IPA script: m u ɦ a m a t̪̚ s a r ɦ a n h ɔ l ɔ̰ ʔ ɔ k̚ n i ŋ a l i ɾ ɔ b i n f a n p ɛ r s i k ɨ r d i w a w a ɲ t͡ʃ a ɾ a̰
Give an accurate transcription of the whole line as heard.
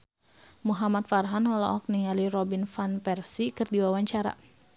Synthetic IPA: m u ɦ a m a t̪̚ f a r ɦ a n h ɔ l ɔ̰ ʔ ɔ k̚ n i ŋ a l i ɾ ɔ b i n f a n p ɛ r s i k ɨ r d i w a w a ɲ t͡ʃ a ɾ a̰